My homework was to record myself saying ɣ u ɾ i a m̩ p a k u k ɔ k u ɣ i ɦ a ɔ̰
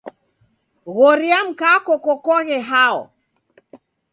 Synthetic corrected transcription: ɣ ɔ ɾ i a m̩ k a k ɔ k ɔ k ɔ ɣ ɛ ɦ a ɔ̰